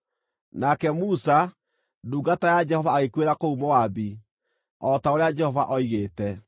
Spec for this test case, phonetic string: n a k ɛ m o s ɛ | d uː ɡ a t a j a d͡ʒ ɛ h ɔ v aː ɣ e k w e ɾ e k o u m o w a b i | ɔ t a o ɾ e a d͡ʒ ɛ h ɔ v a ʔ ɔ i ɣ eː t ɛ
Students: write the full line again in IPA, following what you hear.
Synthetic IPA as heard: n a k ɛ m u s a | d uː ɡ a t a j a d͡ʒ ɛ h ɔ v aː ɣ e k w e ɾ a k o u m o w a b i | ɔ t a o ɾ e a d͡ʒ ɛ h ɔ v a ʔ ɔ i ɣ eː t ɛ